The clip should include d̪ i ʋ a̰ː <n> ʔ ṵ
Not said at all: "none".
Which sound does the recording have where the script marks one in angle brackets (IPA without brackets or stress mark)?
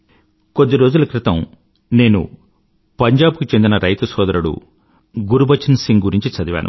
n